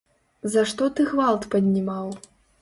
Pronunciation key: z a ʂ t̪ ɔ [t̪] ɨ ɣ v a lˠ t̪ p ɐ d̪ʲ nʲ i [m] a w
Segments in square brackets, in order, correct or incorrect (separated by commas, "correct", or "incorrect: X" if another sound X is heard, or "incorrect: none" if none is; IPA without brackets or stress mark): correct, correct